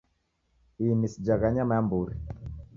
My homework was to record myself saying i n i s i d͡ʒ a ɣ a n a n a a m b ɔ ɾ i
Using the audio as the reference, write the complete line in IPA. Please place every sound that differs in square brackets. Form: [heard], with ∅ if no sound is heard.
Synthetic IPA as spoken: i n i s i d͡ʒ a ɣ a [ɲ] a [m] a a m b [u] ɾ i